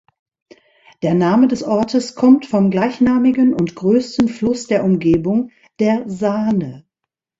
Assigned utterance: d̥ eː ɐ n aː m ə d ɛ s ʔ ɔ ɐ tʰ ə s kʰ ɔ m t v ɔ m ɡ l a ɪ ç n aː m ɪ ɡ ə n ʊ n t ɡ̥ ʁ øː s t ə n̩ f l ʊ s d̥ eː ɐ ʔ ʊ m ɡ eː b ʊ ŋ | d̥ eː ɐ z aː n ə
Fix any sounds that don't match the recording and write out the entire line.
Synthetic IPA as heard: d̥ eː ɐ n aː m ə d ɛ s ʔ ɔ ɐ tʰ ə s kʰ ɔ m t f ɔ m ɡ l a ɪ ç n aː m ɪ ɡ ə n ʊ n t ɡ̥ ʁ øː s t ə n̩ f l ʊ s d̥ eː ɐ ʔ ʊ m ɡ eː b ʊ ŋ | d̥ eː ɐ z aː n ə